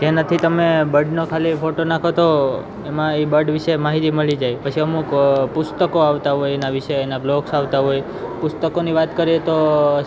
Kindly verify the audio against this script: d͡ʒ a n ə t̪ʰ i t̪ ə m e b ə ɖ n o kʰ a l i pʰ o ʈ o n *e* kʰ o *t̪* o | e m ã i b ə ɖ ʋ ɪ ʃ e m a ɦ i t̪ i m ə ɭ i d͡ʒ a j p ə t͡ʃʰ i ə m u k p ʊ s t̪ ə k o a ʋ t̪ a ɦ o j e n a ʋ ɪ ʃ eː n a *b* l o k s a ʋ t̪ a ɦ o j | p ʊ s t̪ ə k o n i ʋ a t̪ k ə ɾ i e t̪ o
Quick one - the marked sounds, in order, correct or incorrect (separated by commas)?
incorrect, correct, correct